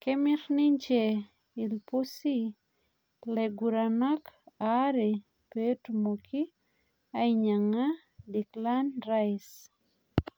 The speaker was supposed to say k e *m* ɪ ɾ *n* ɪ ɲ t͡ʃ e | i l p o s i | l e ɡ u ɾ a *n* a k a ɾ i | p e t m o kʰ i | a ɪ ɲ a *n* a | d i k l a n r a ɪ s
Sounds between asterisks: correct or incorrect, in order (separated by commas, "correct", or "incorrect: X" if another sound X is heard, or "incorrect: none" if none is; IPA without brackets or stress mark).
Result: correct, correct, correct, incorrect: ŋ